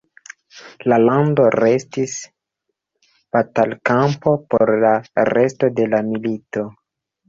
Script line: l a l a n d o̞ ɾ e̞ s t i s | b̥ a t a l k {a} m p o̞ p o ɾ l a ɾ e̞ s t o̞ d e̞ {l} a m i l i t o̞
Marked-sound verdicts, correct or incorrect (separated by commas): correct, correct